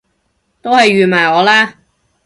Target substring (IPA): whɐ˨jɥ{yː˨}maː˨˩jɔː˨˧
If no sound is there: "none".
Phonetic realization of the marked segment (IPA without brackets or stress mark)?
yː˨